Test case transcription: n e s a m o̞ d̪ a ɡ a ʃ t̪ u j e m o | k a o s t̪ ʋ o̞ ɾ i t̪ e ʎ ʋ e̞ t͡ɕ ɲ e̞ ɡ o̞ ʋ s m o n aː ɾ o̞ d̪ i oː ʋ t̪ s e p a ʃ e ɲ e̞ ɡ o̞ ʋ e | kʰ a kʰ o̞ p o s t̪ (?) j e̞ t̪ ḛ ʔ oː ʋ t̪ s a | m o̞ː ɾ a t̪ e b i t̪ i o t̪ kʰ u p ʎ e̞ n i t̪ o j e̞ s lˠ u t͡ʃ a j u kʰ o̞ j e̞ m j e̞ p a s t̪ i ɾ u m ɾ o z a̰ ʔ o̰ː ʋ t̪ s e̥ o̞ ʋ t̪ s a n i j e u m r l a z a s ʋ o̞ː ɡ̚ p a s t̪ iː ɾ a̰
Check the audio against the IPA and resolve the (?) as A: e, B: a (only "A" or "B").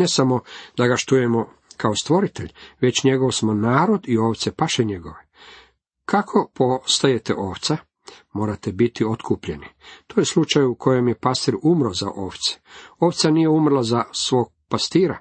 B